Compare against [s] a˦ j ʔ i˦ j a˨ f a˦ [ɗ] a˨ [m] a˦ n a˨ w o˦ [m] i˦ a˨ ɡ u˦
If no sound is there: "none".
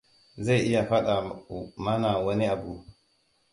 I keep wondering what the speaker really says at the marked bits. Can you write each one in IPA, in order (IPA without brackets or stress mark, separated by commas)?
z, ɗ, m, n